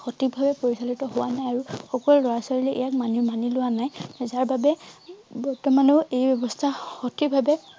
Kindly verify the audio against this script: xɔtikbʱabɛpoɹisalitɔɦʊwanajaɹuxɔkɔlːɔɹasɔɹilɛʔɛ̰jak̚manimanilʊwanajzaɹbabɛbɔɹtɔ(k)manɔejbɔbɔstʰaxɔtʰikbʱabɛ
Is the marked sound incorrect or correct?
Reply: incorrect: none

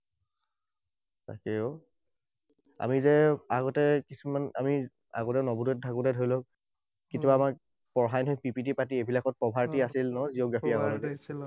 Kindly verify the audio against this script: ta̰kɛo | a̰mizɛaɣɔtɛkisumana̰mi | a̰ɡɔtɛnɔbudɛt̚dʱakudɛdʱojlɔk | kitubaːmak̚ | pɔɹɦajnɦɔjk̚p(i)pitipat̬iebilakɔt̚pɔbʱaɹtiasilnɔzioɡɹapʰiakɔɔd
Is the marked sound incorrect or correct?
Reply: correct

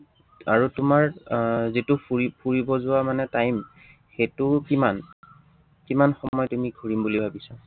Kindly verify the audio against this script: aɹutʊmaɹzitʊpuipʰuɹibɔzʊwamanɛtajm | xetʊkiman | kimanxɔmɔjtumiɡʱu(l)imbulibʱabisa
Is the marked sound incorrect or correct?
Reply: incorrect: ɹ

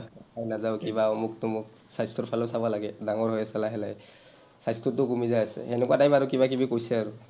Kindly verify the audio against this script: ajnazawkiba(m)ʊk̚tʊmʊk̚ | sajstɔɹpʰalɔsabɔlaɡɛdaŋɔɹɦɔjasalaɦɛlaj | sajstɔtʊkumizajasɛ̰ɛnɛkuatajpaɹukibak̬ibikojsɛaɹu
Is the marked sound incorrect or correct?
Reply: correct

